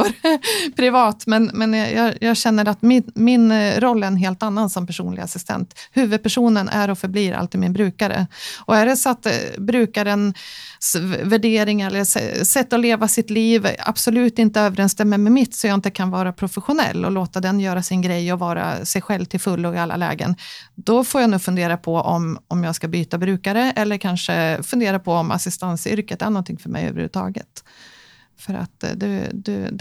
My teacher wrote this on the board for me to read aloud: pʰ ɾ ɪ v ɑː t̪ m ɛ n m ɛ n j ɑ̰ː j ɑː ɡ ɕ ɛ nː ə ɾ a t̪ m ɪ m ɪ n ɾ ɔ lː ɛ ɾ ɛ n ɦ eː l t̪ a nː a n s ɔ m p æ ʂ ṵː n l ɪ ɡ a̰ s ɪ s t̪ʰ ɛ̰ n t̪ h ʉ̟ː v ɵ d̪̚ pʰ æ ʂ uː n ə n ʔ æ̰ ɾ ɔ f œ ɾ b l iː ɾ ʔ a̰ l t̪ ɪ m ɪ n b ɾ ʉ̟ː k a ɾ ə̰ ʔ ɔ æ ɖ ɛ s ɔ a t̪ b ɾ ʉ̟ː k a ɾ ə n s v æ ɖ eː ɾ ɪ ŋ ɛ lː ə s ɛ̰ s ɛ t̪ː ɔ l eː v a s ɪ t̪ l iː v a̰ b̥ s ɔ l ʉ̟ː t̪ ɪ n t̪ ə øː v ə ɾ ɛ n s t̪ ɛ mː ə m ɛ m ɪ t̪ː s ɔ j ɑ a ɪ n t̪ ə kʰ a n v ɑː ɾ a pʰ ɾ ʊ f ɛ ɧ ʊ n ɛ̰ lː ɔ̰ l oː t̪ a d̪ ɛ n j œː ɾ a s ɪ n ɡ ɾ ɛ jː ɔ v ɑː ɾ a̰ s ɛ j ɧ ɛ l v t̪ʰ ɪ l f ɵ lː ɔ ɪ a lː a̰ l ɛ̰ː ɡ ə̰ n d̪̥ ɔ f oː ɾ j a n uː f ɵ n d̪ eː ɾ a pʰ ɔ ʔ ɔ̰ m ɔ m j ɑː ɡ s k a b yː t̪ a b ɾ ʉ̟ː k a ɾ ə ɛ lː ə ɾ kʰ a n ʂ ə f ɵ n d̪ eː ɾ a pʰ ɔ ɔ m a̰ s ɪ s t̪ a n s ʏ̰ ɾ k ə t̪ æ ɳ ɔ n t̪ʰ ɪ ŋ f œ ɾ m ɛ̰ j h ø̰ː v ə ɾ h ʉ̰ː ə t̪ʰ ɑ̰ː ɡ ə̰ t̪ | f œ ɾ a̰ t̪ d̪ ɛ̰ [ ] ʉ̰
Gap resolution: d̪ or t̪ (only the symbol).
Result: d̪